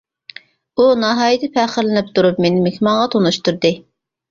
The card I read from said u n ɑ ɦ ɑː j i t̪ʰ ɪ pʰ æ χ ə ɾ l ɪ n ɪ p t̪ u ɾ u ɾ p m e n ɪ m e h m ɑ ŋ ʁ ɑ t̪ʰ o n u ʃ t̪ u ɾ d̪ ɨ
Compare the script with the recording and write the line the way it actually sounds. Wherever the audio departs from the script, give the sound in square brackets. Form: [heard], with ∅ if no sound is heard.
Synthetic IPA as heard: u n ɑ ɦ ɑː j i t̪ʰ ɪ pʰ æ χ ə ɾ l ɪ n ɪ p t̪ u ɾ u [∅] p m e n ɪ m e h m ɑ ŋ ʁ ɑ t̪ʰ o n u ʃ t̪ u ɾ d̪ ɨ